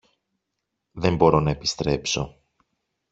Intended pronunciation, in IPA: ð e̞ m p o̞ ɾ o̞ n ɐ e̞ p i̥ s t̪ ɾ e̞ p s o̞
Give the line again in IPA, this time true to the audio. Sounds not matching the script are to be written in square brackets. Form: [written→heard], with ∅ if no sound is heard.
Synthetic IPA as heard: ð e̞ m [p→b] o̞ ɾ o̞ n ɐ e̞ p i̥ s t̪ ɾ e̞ p s o̞